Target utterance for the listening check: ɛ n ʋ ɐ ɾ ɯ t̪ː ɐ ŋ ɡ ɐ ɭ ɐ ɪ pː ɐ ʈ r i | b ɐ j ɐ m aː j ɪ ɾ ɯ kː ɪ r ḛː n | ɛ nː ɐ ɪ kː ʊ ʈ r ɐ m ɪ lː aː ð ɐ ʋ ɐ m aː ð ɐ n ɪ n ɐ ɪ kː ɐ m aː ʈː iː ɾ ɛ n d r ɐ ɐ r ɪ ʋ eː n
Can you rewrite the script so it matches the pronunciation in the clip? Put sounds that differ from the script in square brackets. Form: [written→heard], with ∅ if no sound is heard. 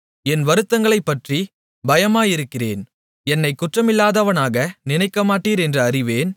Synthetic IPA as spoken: ɛ n ʋ ɐ ɾ ɯ t̪ː ɐ ŋ ɡ ɐ ɭ ɐ ɪ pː ɐ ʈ r i | b ɐ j ɐ m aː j ɪ ɾ ɯ kː ɪ r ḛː n | ɛ nː ɐ ɪ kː ʊ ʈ r ɐ m ɪ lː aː ð ɐ ʋ ɐ [m→n] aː [ð→ɣ] ɐ n ɪ n ɐ ɪ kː ɐ m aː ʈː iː ɾ ɛ n d r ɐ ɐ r ɪ ʋ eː n

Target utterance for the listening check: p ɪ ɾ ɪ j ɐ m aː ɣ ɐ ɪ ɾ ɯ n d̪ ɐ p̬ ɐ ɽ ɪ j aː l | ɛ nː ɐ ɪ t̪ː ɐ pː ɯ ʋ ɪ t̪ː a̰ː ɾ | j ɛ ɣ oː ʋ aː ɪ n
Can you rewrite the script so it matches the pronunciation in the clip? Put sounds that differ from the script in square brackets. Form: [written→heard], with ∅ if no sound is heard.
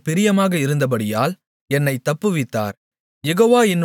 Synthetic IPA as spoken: p ɪ ɾ ɪ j ɐ m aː ɣ ɐ ɪ ɾ ɯ n d̪ ɐ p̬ ɐ ɽ ɪ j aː l | ɛ nː ɐ ɪ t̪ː ɐ pː ɯ ʋ ɪ t̪ː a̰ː ɾ | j ɛ ɣ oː ʋ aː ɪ n

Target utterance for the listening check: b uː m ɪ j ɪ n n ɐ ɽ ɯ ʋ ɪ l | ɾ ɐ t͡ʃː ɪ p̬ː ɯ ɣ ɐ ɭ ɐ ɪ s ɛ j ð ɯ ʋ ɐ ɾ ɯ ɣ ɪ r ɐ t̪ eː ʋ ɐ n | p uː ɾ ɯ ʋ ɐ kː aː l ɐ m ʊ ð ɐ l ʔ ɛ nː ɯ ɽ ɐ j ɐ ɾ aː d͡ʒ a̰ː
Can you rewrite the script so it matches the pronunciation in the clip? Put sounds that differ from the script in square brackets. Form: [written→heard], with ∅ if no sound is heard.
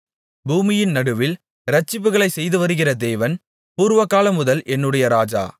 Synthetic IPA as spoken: b uː m ɪ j ɪ n n ɐ ɽ ɯ ʋ ɪ l | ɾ ɐ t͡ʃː ɪ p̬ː ɯ ɣ ɐ ɭ ɐ ɪ s ɛ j ð ɯ ʋ ɐ ɾ ɯ ɣ ɪ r ɐ [t̪→d̪] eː ʋ ɐ n | p uː ɾ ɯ ʋ ɐ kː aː l ɐ m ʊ ð ɐ l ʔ ɛ nː ɯ ɽ ɐ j ɐ ɾ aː d͡ʒ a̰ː

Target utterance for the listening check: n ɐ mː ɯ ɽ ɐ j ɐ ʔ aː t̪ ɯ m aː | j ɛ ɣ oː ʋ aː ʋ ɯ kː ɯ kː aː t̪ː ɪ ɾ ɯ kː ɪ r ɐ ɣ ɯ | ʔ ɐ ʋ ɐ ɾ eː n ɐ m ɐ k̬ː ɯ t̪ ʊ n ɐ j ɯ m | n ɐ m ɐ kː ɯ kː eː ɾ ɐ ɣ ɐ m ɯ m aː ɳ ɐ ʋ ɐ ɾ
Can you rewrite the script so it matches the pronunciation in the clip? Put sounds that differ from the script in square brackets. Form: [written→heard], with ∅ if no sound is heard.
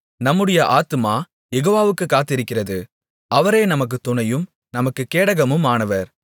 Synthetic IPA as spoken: n ɐ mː ɯ ɽ ɐ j ɐ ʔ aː t̪ ɯ m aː | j ɛ ɣ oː ʋ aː ʋ ɯ kː ɯ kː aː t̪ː ɪ ɾ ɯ kː ɪ r ɐ [ɣ→ð] ɯ | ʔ ɐ ʋ ɐ ɾ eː n ɐ m ɐ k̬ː ɯ t̪ ʊ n ɐ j ɯ m | n ɐ m ɐ kː ɯ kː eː [ɾ→ɽ] ɐ ɣ ɐ m ɯ m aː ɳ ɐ ʋ ɐ ɾ

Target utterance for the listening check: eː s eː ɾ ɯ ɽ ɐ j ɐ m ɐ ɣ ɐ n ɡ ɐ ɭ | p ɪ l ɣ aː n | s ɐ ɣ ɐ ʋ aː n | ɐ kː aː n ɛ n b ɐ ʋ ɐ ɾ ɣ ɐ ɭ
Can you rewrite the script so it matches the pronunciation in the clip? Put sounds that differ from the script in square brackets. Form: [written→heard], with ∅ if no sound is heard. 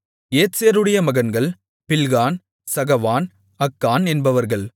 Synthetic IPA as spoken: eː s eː ɾ ɯ ɽ ɐ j ɐ m ɐ ɣ ɐ n ɡ ɐ ɭ | p ɪ l ɣ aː n | s ɐ ɣ ɐ ʋ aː n | ɐ kː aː n ɛ n b ɐ ʋ ɐ ɾ ɣ ɐ ɭ

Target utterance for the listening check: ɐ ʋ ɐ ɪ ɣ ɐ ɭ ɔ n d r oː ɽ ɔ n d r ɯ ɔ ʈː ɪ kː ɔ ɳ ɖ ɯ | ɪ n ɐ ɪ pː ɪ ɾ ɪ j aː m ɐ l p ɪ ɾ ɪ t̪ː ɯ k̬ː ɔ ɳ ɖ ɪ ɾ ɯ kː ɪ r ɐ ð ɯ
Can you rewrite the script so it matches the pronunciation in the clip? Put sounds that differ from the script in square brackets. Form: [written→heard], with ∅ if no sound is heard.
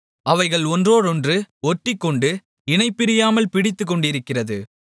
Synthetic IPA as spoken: ɐ ʋ ɐ ɪ ɣ ɐ ɭ ɔ n d r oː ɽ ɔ n d r ɯ ɔ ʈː ɪ kː ɔ ɳ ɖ ɯ | ɪ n ɐ ɪ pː ɪ ɾ ɪ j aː m ɐ l p ɪ [ɾ→ɽ] ɪ t̪ː ɯ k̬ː ɔ ɳ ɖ ɪ ɾ ɯ kː ɪ r ɐ ð ɯ

